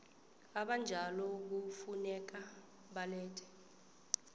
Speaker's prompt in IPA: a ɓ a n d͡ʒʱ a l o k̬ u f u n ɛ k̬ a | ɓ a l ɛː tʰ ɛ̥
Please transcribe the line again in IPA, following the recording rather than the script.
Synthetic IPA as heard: a ɓ a n d͡ʒʱ a l ɔ k̬ u f u n ɛ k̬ a | ɓ a l ɛː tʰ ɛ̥